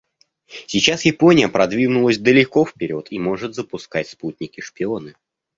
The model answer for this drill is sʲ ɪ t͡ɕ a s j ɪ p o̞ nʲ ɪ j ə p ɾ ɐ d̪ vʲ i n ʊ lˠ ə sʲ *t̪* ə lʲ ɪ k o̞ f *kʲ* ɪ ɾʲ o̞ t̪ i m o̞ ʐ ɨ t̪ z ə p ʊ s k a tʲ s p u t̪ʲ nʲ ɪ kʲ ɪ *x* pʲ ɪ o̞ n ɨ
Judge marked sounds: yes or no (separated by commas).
no, no, no